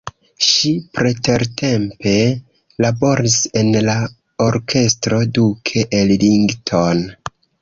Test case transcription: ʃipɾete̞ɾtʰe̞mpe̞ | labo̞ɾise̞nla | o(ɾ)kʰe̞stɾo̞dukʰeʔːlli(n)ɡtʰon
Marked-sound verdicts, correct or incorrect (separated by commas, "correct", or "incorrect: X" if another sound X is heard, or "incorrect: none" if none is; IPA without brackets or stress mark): correct, incorrect: ŋ